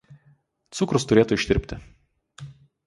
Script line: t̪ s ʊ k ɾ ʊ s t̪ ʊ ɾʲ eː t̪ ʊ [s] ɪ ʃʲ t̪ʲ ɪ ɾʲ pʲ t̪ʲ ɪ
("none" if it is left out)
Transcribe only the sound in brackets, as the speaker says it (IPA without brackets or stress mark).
none